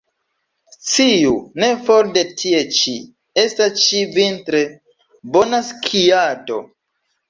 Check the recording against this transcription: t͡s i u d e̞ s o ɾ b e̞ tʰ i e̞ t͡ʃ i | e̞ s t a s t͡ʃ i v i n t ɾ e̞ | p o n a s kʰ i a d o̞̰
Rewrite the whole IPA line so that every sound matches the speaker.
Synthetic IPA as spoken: t͡s i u n e̞ f o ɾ d e̞ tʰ i e̞ t͡ʃ i | e̞ s t a s t͡ʃ i v i n t ɾ e̞ | b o n a s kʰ i a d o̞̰